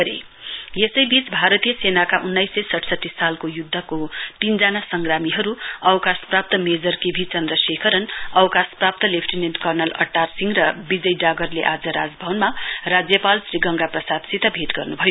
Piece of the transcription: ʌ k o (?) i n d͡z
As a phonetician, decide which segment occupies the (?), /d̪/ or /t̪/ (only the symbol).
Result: t̪